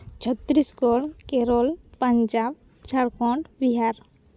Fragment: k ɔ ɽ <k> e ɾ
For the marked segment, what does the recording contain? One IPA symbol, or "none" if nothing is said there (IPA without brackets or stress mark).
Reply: k